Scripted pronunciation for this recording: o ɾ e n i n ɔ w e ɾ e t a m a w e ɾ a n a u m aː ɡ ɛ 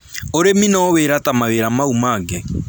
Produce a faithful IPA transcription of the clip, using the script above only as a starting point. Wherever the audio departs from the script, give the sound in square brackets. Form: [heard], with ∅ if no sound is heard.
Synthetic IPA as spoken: o ɾ e [m] i n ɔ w e ɾ [a] t a m a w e ɾ a [m] a u m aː ɡ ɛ